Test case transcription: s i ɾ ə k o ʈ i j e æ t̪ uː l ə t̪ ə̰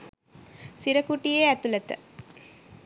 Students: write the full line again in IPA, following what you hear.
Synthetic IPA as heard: s i ɾ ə k u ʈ i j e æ t̪ u l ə t̪ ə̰